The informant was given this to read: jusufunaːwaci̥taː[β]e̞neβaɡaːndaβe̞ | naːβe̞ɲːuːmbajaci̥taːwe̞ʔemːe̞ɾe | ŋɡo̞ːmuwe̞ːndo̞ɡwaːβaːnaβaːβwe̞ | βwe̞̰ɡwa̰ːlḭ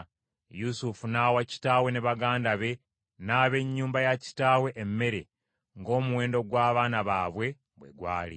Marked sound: incorrect: w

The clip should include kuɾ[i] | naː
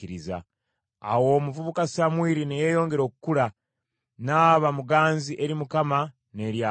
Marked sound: incorrect: a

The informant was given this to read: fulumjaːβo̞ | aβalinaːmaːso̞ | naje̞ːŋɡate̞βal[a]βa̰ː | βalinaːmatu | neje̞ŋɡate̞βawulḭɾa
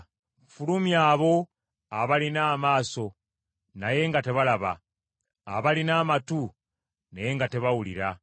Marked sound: correct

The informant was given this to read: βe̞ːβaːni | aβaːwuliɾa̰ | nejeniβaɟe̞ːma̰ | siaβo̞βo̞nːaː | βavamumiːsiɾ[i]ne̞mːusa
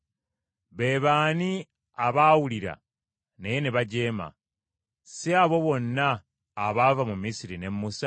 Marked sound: correct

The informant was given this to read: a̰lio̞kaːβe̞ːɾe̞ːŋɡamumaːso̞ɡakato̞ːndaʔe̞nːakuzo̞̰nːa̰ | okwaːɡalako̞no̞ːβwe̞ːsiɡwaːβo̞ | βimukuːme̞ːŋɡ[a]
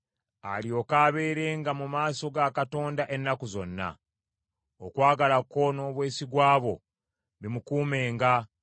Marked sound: correct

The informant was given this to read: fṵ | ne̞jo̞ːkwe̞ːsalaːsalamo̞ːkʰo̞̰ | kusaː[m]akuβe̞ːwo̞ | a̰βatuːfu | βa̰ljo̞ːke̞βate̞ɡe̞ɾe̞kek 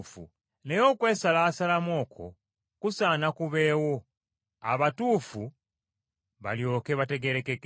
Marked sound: incorrect: n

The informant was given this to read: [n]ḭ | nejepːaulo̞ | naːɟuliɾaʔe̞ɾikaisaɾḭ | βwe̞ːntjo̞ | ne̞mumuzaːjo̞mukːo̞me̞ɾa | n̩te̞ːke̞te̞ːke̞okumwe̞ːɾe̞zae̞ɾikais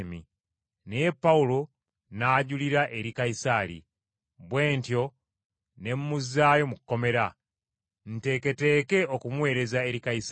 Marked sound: incorrect: m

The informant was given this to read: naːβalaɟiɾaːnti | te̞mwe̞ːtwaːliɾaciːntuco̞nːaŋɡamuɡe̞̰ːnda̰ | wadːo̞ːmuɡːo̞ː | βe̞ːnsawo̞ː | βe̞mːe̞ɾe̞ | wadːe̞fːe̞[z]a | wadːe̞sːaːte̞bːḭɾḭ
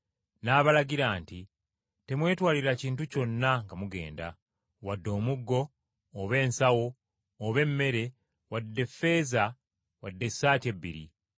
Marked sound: correct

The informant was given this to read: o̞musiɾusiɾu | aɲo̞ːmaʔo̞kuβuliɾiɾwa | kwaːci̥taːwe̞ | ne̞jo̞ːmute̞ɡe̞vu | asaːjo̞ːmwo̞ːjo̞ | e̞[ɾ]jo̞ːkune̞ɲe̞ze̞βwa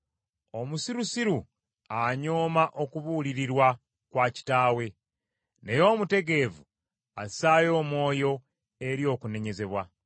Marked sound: correct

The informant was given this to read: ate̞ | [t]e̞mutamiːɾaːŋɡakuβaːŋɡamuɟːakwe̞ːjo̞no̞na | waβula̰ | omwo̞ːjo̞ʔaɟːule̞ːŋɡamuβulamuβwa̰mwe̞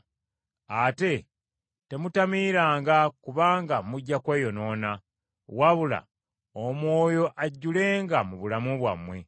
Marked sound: correct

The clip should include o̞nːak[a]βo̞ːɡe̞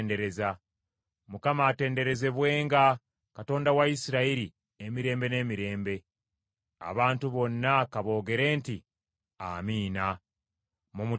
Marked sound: correct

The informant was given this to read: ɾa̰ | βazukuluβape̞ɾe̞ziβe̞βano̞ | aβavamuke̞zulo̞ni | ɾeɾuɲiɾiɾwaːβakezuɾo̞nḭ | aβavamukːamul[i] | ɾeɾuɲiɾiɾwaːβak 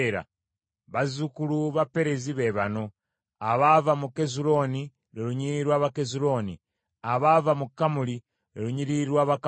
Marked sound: correct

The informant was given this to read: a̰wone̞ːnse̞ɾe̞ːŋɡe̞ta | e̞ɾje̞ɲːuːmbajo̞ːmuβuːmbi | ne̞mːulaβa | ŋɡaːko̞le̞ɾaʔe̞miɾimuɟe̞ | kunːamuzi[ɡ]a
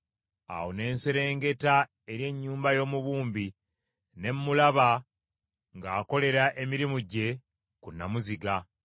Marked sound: correct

